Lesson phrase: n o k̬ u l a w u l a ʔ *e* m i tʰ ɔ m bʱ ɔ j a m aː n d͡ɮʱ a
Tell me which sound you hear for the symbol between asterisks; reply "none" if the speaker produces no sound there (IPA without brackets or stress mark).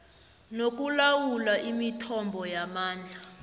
i